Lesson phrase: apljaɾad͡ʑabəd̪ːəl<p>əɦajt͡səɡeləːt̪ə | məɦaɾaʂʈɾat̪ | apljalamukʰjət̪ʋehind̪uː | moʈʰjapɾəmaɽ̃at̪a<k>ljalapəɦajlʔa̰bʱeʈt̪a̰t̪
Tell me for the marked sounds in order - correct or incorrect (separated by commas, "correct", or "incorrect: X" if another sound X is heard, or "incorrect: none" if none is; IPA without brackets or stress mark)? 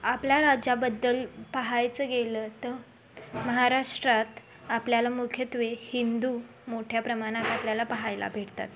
correct, incorrect: p